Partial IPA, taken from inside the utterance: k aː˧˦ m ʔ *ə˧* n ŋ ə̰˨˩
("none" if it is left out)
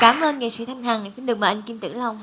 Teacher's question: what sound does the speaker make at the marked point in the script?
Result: əː˧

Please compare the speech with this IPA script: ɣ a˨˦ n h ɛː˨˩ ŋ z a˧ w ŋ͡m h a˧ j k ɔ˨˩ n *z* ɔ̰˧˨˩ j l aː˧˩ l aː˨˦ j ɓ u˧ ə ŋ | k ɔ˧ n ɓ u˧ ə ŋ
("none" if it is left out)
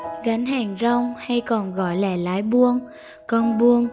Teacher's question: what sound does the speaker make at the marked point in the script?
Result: ɣ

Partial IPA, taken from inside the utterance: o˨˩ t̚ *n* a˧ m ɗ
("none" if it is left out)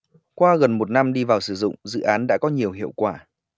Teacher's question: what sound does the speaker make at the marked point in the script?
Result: n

